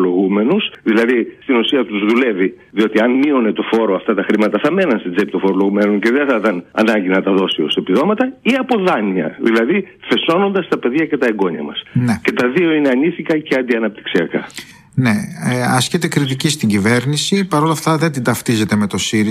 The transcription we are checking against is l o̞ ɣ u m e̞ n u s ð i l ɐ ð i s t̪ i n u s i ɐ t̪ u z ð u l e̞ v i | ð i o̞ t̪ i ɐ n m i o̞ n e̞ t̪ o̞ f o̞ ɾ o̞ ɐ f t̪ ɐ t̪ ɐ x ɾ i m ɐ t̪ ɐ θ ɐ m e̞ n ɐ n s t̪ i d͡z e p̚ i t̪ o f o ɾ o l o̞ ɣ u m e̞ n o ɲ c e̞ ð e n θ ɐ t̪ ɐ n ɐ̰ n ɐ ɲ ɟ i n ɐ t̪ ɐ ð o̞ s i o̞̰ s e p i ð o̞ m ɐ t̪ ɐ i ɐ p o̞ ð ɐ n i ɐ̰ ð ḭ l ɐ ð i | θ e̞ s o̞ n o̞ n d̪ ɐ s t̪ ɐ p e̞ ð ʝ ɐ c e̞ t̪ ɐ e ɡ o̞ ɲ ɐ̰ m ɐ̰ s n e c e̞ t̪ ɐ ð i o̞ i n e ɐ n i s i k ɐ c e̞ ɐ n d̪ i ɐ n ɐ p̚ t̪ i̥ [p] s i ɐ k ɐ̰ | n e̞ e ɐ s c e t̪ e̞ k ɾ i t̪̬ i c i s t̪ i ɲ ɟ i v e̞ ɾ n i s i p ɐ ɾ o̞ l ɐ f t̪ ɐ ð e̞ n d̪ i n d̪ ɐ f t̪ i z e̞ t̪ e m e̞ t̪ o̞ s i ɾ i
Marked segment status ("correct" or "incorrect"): incorrect